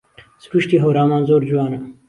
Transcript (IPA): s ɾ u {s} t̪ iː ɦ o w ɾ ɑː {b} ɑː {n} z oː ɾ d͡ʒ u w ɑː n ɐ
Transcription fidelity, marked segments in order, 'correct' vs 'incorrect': incorrect: ʃ, incorrect: m, correct

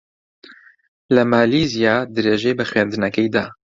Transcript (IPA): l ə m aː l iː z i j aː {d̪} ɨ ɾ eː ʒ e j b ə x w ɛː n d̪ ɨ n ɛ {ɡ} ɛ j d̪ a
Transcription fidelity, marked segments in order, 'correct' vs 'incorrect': correct, incorrect: k

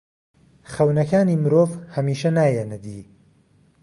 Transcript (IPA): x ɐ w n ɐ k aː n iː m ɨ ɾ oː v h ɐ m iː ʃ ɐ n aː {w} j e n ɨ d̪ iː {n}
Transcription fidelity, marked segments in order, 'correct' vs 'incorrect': incorrect: none, incorrect: none

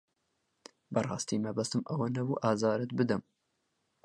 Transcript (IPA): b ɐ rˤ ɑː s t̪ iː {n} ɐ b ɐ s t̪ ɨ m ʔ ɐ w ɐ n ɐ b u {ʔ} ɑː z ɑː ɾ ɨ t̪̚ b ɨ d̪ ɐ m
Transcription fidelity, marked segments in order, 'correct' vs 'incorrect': incorrect: m, correct

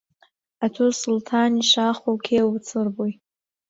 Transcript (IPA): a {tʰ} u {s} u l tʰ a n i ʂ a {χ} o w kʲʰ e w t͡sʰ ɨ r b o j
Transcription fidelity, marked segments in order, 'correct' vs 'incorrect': correct, correct, correct

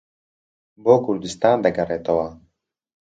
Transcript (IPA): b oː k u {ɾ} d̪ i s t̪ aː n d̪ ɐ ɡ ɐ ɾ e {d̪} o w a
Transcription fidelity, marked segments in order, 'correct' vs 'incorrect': correct, incorrect: t̪

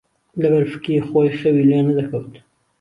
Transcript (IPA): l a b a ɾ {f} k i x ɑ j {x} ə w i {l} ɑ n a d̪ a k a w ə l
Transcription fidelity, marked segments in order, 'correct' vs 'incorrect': correct, correct, correct

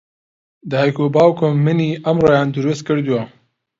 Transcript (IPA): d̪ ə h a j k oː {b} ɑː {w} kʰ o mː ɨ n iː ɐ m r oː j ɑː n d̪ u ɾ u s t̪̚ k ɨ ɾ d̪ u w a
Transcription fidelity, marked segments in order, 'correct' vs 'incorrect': correct, correct

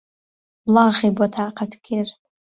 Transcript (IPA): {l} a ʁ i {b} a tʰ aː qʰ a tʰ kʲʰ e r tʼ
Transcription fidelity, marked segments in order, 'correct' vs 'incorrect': correct, correct

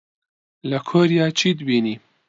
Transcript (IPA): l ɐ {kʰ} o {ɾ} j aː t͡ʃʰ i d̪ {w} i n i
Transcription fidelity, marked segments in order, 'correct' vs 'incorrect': correct, correct, incorrect: b

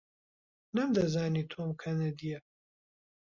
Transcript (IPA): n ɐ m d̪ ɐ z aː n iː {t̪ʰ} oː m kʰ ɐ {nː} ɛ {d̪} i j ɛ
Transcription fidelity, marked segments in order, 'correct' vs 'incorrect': correct, incorrect: n, correct

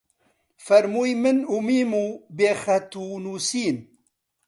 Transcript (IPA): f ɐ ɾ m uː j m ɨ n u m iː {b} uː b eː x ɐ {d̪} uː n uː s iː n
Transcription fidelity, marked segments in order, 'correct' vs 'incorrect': incorrect: m, incorrect: t̪

